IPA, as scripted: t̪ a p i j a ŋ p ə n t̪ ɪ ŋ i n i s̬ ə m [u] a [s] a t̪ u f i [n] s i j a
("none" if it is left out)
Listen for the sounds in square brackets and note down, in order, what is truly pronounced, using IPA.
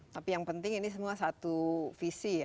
u, s, none

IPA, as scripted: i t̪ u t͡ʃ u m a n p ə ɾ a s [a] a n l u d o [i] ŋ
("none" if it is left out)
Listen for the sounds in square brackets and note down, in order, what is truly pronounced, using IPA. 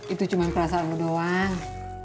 a, a

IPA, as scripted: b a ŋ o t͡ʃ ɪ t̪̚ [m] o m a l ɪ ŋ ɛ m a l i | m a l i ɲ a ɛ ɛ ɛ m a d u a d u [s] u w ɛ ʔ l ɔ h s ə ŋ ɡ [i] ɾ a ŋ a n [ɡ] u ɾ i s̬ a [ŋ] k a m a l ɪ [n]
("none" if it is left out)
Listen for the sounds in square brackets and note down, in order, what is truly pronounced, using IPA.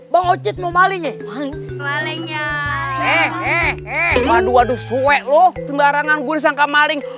m, s, a, ɡ, ŋ, ŋ

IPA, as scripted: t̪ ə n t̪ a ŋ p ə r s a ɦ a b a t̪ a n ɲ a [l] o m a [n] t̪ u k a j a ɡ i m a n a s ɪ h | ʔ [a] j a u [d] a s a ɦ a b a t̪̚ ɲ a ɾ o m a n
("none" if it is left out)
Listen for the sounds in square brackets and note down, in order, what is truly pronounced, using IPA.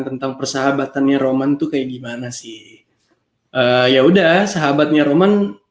ɾ, n, ə, d

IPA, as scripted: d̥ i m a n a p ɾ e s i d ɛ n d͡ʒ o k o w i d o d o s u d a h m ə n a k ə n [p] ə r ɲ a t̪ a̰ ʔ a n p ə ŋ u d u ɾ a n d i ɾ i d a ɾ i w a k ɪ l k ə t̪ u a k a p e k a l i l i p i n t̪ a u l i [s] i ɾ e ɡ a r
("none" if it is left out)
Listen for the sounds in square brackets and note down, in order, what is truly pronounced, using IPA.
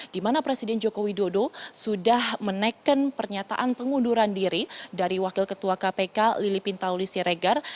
p, s

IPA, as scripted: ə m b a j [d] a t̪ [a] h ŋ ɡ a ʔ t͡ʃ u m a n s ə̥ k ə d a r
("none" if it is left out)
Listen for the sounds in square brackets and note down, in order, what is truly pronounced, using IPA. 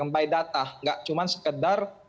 d, a

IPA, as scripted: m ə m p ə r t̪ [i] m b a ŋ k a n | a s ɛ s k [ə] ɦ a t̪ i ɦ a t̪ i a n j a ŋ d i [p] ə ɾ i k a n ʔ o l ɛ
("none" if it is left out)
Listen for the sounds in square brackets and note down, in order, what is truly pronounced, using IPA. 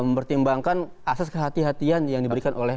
i, ə, b

